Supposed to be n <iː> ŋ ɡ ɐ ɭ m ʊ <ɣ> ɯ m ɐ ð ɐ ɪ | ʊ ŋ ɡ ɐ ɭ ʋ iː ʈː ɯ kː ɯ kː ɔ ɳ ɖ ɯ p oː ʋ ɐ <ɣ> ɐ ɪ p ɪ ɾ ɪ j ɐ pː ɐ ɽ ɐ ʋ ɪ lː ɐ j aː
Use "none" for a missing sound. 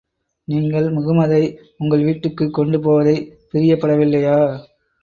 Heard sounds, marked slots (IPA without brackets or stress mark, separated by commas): iː, ɣ, ð